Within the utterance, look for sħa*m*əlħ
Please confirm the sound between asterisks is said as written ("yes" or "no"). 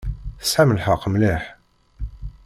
yes